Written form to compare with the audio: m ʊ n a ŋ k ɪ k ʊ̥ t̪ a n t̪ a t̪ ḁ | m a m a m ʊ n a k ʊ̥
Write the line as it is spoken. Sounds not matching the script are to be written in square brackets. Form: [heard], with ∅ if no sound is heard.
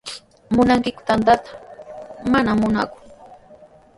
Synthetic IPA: m ʊ n a ŋ k ɪ k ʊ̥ t̪ a n t̪ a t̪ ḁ | m a [n] a m ʊ n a k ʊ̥